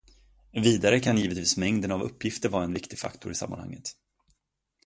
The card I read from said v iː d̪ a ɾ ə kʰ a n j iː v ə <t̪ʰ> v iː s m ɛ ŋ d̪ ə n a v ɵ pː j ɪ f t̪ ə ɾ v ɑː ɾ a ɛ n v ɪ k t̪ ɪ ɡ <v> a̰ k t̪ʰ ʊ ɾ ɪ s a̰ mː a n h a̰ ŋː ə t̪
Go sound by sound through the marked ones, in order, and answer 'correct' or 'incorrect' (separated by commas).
incorrect, incorrect